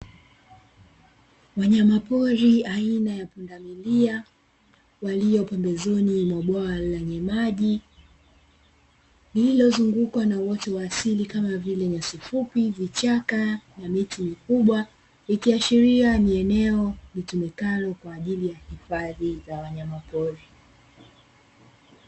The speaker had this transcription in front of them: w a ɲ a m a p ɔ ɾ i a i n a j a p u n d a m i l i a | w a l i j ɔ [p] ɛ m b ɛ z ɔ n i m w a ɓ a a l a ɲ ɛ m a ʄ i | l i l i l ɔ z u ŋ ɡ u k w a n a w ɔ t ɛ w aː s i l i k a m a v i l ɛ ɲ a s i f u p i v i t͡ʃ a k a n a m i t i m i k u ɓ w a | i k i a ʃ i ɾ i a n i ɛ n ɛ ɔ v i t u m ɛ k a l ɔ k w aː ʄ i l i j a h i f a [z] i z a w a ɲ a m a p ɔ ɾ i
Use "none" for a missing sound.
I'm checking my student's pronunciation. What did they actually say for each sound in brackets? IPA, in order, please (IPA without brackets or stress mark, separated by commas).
p, ð